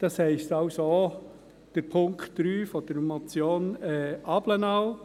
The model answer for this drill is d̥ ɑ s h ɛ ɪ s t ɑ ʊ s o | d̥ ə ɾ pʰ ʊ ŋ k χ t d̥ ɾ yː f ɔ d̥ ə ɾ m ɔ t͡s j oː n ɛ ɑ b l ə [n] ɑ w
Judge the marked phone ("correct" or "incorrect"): correct